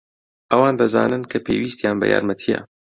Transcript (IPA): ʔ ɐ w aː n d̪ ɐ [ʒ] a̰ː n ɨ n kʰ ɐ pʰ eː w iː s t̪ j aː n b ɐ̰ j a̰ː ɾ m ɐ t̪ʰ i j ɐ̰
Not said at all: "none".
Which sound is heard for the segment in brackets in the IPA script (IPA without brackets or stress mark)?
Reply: z